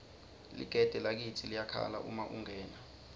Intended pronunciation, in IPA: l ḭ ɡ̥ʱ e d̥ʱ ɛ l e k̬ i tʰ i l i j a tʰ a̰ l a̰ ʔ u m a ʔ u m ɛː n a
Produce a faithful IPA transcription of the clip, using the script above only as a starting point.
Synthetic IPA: l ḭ ɡ̥ʱ ɛ d̥ʱ ɛ l a k̬ i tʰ i l i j a kʰ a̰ l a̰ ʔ u m a ʔ u ŋ ɛː n a

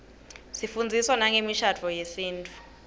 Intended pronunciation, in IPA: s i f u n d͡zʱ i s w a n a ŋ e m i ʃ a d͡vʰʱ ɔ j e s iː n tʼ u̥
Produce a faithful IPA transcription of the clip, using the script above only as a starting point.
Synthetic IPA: s i f u n d͡zʱ i s w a n a ŋ e m i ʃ a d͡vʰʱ ɔ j e s iː n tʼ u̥

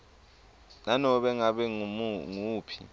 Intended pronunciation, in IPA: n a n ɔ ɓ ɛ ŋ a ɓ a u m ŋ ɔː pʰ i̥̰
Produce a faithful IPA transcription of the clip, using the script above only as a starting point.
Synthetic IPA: n a n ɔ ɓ ɛ ŋ a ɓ ɛ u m ŋ uː pʰ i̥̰

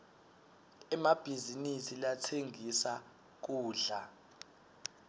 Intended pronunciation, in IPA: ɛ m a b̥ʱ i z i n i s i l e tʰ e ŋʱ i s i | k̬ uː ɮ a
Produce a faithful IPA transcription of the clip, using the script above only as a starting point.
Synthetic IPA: ɛ m a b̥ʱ i z i n i s i l a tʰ e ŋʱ i s a | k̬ uː ɮ a

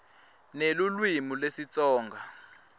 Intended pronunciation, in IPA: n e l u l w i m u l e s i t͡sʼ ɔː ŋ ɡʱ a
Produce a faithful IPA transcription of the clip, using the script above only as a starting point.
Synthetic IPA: n e l u l w i m u l e s i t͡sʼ ɔː ŋ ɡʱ a

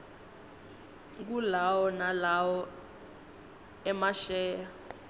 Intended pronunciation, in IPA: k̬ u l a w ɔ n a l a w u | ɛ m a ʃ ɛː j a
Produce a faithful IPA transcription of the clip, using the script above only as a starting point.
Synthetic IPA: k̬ u l a w ɔ n a l a w ɔ | ɛ m a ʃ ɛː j a

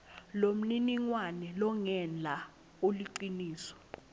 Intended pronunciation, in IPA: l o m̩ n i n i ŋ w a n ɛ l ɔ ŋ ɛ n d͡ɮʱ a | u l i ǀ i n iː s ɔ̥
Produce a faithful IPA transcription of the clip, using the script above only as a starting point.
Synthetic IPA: l o m̩ n i n i ŋ w a n ɛ l ɔ ŋ ɛ n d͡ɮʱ a | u l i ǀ i n iː s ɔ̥

